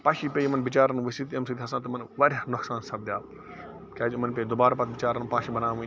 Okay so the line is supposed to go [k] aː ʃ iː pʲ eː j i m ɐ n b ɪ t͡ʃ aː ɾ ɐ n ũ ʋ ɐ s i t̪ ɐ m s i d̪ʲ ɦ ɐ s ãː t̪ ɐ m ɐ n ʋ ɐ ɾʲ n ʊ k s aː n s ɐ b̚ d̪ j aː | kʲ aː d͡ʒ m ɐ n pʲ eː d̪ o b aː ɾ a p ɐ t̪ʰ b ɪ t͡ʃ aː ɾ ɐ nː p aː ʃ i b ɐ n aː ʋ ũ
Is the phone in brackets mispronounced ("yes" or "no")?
yes